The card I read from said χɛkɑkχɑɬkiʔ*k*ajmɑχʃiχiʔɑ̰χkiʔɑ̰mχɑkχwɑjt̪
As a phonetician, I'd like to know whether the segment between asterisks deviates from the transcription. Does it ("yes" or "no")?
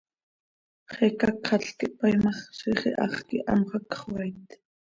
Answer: yes